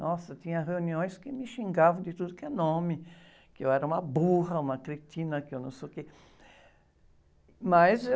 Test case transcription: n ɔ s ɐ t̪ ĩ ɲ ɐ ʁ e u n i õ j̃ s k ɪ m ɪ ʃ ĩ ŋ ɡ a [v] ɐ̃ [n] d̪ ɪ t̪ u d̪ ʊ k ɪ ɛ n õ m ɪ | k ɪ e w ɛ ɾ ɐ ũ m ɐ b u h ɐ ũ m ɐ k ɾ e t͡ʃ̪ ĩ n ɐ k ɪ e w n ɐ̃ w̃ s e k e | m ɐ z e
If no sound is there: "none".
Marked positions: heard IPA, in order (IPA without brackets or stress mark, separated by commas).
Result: v, none